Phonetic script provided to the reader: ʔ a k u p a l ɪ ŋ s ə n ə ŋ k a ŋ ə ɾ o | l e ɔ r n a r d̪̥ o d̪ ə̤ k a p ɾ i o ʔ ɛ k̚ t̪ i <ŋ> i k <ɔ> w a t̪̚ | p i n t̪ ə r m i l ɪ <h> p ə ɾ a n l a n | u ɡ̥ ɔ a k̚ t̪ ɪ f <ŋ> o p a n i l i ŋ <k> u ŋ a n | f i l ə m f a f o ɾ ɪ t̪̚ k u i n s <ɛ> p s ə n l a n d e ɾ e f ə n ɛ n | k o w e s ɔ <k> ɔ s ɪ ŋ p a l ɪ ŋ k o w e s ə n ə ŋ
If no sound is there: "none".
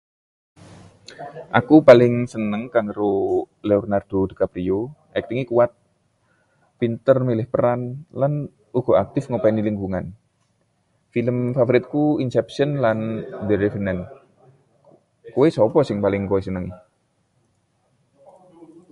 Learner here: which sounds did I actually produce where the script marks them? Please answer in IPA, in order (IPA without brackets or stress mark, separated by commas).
ŋ, u, h, ŋ, ɡ, ɛ, p